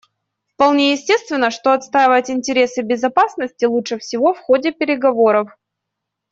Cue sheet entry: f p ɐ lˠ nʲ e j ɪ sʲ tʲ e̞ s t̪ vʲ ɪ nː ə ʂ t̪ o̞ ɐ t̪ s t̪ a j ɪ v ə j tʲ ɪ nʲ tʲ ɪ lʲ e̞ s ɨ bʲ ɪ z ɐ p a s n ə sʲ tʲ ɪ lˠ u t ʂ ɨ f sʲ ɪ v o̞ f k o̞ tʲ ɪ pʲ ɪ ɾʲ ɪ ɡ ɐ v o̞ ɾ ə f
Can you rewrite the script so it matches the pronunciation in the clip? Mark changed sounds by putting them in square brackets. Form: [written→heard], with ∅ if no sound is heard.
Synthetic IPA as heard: f p ɐ lˠ nʲ e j ɪ sʲ tʲ e̞ s t̪ vʲ ɪ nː ə ʂ t̪ o̞ ɐ t̪ s t̪ a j ɪ v ə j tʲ ɪ nʲ tʲ ɪ [lʲ→ɾʲ] e̞ s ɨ bʲ ɪ z ɐ p a s n ə sʲ tʲ ɪ lˠ u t ʂ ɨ f sʲ ɪ v o̞ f [k→x] o̞ [tʲ→dʲ] ɪ pʲ ɪ ɾʲ ɪ ɡ ɐ v o̞ ɾ ə f